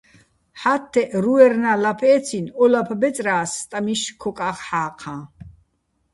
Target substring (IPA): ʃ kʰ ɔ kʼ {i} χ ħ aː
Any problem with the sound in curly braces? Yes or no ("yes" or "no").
yes